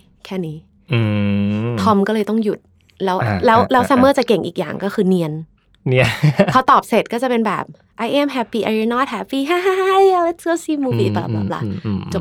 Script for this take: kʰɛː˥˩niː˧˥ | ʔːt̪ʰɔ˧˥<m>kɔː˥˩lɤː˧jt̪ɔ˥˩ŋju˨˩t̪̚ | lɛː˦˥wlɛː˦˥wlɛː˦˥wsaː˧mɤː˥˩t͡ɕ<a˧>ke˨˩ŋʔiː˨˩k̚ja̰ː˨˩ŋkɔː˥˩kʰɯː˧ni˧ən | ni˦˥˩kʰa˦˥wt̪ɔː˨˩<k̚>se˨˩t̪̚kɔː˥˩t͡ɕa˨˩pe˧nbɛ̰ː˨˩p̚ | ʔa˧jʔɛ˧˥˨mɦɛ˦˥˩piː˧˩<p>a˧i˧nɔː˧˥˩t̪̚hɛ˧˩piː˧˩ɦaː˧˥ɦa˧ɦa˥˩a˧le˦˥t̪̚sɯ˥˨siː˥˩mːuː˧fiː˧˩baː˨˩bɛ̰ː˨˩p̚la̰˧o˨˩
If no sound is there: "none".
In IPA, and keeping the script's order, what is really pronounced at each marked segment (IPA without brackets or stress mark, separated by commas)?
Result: m, a˨˩, p̚, ʔ